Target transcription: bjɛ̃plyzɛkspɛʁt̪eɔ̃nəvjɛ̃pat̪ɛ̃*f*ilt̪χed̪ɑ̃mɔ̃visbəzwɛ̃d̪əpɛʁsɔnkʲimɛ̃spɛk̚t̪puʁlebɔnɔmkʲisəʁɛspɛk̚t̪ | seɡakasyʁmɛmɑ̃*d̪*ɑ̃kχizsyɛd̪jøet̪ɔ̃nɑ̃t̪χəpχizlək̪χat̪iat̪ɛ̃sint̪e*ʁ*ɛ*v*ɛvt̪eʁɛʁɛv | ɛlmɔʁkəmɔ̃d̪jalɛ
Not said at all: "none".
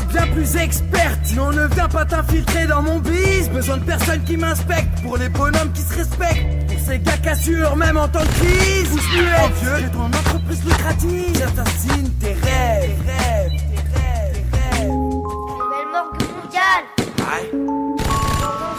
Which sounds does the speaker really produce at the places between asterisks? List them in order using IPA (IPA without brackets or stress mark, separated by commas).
f, t̪, ʁ, ʁ